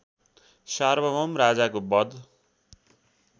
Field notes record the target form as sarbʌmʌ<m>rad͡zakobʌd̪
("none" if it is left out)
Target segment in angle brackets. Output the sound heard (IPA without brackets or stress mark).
m